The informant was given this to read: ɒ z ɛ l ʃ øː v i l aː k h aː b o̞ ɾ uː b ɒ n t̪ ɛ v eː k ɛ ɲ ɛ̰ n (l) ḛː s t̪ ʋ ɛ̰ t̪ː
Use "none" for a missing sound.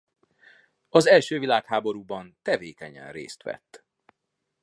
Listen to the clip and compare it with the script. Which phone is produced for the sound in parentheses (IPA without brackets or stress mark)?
r